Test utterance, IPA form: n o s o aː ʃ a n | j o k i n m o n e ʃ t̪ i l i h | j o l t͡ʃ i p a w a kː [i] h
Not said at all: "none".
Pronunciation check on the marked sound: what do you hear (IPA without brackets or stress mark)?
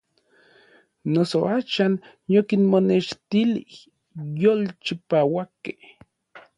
e